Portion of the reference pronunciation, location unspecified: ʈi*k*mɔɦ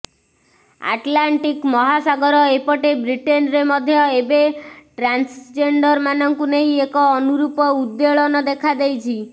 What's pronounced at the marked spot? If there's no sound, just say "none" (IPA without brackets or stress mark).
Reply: k